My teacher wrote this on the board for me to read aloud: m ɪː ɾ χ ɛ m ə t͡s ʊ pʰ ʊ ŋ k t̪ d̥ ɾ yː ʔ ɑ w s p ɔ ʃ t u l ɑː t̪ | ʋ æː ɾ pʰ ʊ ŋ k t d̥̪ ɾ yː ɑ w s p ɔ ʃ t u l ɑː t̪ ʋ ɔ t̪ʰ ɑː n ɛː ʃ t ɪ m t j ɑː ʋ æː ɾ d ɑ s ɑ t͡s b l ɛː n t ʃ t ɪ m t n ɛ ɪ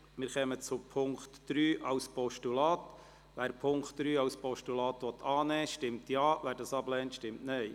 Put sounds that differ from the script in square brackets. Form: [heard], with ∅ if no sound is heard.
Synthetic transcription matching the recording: m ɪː ɾ χ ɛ m ə t͡s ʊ pʰ ʊ ŋ k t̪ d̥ ɾ yː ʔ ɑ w s p ɔ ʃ t u l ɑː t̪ | ʋ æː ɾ pʰ ʊ ŋ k t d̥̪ ɾ yː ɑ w s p ɔ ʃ t u l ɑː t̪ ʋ ɔ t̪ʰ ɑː n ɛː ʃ t ɪ m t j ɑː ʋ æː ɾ d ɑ s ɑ [∅] b l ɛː n t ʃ t ɪ m t n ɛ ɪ